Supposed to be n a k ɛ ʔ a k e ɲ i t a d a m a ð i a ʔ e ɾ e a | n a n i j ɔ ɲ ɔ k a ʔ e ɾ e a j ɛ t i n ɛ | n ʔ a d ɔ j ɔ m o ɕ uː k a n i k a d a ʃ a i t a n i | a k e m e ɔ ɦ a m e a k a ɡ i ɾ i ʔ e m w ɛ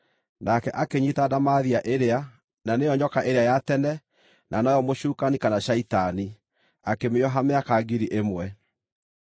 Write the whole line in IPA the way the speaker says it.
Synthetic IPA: n a k ɛ ʔ a k e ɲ i t a d a m a ð i a ʔ e ɾ e a | n a n e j ɔ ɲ ɔ k a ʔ e ɾ e a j a t ɛ n ɛ | n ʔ a n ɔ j ɔ m o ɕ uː k a n i k a n a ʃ a i t a n i | a k e m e ɔ ɦ a m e a k a ɡ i ɾ i ʔ e m w ɛ